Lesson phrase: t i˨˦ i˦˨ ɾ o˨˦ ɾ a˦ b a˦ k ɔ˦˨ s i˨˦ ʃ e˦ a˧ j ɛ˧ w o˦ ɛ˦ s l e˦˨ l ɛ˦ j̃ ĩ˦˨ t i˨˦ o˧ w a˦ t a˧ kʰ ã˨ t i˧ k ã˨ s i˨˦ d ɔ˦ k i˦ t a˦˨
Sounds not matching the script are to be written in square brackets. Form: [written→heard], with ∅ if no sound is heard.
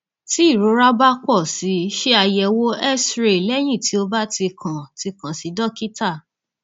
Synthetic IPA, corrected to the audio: t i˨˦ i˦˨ ɾ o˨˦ ɾ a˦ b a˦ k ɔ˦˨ s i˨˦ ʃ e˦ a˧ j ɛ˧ w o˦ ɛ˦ s [l→ɾ] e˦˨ l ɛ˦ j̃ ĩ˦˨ t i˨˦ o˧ [w→b] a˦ t [a˧→i˧] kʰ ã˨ t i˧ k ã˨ s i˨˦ d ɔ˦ k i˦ t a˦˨